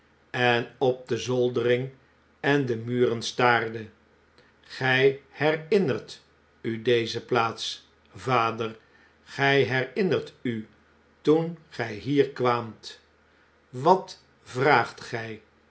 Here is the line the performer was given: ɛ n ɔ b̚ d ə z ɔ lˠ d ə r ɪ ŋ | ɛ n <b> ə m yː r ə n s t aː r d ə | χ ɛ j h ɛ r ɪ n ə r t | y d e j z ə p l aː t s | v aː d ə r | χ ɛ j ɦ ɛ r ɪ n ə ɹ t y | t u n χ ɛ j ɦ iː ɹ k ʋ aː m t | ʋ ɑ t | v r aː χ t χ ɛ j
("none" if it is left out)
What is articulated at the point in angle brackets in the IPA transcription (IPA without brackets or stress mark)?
d